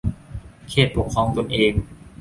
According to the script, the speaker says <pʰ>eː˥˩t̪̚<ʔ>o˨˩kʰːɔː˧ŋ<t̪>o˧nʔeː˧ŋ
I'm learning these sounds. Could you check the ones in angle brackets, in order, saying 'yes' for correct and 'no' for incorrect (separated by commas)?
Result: no, no, yes